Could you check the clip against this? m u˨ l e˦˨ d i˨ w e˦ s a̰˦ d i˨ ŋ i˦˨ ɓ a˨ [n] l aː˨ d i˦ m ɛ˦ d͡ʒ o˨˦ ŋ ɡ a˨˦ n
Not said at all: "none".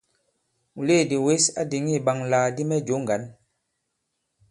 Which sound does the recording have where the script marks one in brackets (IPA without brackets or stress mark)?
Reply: ŋ